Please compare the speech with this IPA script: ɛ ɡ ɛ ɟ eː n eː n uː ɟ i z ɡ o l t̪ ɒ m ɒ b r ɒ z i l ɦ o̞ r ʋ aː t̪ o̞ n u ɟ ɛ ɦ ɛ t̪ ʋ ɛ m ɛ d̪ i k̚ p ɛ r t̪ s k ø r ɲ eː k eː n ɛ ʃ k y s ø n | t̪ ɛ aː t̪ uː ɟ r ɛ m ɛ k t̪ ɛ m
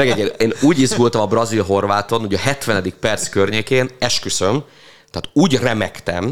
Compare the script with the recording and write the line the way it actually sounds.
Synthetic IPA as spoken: ɛ ɡ ɛ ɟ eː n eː n uː ɟ i z ɡ u l t̪ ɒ m ɒ b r ɒ z i l ɦ o̞ r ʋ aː t̪ o̞ n u ɟ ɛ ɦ ɛ t̪ ʋ ɛ n ɛ d̪ i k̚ p ɛ r t̪ s k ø r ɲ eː k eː n ɛ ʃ k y s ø m | t̪ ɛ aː t̪ uː ɟ r ɛ m ɛ k t̪ ɛ m